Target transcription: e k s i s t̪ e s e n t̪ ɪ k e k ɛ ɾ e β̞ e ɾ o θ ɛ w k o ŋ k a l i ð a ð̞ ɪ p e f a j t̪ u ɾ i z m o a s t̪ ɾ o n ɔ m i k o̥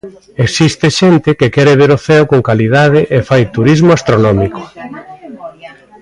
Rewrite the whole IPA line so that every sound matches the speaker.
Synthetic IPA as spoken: e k s i s t̪ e ʃ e n t̪ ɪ k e k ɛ ɾ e β̞ e ɾ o θ ɛ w k o ŋ k a l i ð a ð̞ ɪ ʔ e f a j t̪ u ɾ i z m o a s t̪ ɾ o n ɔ m i k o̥